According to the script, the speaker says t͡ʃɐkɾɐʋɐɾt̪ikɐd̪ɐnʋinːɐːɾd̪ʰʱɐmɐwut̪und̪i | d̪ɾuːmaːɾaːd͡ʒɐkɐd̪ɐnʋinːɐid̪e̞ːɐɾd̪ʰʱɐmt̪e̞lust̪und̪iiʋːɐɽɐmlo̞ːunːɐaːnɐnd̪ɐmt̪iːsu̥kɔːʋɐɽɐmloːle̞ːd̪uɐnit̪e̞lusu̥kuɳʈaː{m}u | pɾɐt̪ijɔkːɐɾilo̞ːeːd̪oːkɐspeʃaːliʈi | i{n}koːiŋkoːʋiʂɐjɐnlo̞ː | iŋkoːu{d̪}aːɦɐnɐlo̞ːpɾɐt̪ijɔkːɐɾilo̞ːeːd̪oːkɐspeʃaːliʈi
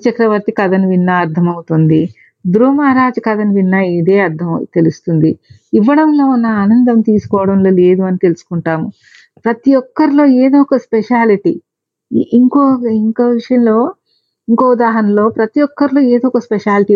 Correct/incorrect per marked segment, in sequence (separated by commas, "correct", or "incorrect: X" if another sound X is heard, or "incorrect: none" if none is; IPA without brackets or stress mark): correct, incorrect: ŋ, correct